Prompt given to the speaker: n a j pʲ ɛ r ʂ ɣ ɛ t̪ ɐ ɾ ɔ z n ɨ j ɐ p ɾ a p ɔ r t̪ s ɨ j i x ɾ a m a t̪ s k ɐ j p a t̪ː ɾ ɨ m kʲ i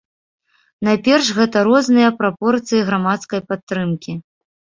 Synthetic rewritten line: n a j pʲ ɛ r ʂ ɣ ɛ t̪ ɐ ɾ ɔ z n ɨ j ɐ p ɾ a p ɔ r t̪ s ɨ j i ɣ ɾ a m a t̪ s k ɐ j p a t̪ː ɾ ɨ m kʲ i